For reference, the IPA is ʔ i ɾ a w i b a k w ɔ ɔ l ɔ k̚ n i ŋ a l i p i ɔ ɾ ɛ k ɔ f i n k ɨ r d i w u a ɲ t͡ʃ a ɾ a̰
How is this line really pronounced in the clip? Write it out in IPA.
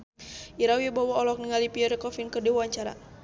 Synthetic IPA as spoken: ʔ i ɾ a w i b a w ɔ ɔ l ɔ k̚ n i ŋ a l i p i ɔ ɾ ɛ k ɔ f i n k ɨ r d i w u a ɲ t͡ʃ a ɾ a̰